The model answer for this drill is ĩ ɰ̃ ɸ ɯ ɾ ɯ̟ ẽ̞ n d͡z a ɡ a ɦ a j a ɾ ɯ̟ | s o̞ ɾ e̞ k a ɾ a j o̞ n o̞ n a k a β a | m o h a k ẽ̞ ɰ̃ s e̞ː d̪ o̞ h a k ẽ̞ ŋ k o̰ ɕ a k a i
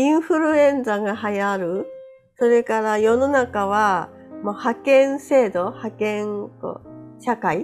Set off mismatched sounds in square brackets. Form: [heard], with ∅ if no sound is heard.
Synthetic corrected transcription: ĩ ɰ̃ ɸ ɯ ɾ ɯ̟ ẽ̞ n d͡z a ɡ a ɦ a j a ɾ ɯ̟ | s o̞ ɾ e̞ k a ɾ a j o̞ n o̞ n a k a β a | m o h a k ẽ̞ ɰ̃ s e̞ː d̪ o̞ h a k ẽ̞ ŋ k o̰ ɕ a k a i